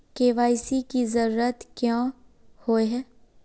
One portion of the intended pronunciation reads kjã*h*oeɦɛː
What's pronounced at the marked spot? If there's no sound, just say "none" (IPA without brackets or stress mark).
h